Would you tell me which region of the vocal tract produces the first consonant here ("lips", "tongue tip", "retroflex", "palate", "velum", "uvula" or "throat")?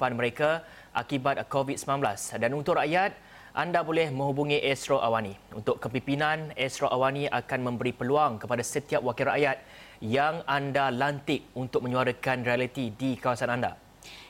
lips